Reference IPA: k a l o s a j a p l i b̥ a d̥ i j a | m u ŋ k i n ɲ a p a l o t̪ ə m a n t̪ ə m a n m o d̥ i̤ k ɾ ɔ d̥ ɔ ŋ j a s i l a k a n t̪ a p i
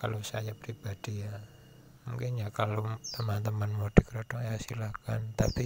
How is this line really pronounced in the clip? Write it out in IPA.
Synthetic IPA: k a l o s a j a p ɾ i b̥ a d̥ i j a | m u ŋ k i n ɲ a k a l o t̪ ə m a n t̪ ə m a n m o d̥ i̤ k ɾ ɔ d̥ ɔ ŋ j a s i l a k a n t̪ a p i